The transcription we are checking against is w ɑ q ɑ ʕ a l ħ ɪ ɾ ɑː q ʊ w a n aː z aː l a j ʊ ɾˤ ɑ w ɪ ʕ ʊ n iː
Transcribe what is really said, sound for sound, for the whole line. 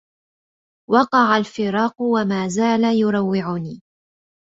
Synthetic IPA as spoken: w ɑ q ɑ ʕ a l f ɪ ɾ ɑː q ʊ w a m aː z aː l a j ʊ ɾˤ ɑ wː ɪ ʕ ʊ n iː